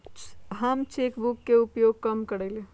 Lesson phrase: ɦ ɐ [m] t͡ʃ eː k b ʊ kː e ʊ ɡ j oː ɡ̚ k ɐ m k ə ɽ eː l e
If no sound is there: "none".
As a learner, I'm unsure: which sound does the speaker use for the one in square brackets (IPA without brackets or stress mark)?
m